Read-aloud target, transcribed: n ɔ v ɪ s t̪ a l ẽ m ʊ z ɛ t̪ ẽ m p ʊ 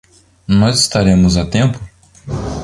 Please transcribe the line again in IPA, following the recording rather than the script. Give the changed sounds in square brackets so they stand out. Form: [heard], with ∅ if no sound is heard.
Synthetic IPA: n ɔ [z] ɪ s t̪ a [ɾ] ẽ m ʊ z [a] t̪ ẽ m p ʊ